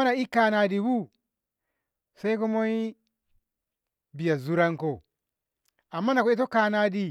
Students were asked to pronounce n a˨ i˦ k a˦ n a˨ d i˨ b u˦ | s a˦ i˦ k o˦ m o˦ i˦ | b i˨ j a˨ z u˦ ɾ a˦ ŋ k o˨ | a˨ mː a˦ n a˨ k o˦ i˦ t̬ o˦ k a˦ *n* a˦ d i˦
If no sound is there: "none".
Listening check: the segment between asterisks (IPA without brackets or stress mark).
n